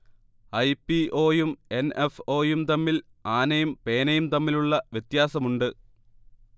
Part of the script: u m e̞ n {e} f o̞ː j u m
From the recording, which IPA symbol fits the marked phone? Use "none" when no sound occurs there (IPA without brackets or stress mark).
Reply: e